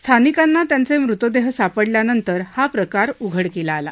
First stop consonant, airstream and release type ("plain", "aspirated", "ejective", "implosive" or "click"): aspirated